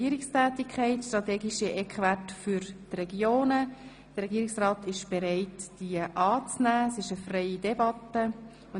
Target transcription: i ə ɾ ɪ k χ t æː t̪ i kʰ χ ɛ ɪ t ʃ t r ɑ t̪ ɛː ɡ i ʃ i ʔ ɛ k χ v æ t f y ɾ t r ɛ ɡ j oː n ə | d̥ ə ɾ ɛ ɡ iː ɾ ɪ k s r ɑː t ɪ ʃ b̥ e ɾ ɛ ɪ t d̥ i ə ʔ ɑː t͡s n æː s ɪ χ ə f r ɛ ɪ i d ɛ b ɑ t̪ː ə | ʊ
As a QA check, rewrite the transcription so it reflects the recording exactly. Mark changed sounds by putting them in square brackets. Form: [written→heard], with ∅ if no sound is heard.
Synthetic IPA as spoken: i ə ɾ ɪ k [χ→s] t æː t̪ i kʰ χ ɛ ɪ t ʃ t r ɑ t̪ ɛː ɡ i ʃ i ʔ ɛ k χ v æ t f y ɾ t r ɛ ɡ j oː n ə | d̥ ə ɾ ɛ ɡ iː ɾ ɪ k s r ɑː t ɪ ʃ b̥ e ɾ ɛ ɪ t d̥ i ə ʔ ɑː t͡s n æː s ɪ [χ→ʃ] ə f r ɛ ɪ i d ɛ b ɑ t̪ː ə | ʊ